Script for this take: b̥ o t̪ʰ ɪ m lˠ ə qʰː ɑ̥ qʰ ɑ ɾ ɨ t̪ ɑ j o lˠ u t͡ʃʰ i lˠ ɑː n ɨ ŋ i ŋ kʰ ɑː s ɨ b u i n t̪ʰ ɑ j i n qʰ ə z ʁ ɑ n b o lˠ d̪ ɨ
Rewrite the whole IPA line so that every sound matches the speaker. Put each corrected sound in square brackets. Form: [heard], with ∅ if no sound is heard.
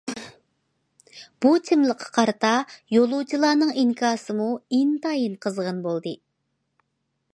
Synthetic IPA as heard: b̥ [u] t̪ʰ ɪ m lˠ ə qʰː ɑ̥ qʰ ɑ ɾ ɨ t̪ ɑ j o lˠ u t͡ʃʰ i lˠ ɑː n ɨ ŋ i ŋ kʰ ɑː s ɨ [m] u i n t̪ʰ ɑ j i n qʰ ə z ʁ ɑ n b o lˠ d̪ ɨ